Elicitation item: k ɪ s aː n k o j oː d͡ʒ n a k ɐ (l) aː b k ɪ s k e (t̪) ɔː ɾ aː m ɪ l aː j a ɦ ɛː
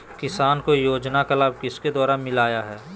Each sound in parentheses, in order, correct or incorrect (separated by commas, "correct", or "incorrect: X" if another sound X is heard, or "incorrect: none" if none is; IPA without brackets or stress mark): correct, incorrect: d̪